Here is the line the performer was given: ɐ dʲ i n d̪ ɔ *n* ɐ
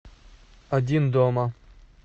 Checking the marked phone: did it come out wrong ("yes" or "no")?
yes